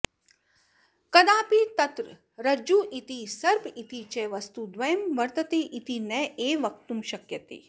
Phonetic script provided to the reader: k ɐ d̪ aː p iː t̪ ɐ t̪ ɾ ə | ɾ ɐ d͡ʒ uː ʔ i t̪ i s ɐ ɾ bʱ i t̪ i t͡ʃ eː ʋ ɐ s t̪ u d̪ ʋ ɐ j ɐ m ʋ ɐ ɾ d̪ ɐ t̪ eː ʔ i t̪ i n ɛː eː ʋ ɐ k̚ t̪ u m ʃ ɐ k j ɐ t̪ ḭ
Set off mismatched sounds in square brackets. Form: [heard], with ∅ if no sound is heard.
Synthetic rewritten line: k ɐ d̪ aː p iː t̪ ɐ t̪ ɾ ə | ɾ ɐ d͡ʒ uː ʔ i t̪ i s ɐ ɾ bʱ i t̪ i t͡ʃ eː ʋ ɐ s t̪ u d̪ ʋ ɐ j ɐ m ʋ ɐ ɾ [t̪] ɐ t̪ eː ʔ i t̪ i n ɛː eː ʋ ɐ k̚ t̪ u m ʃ ɐ k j ɐ t̪ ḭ